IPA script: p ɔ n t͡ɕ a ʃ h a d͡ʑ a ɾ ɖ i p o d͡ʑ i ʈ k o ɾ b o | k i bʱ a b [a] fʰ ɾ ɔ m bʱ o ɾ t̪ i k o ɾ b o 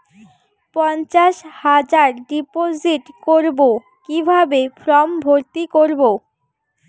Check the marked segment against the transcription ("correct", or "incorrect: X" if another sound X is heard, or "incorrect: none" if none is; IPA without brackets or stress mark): incorrect: e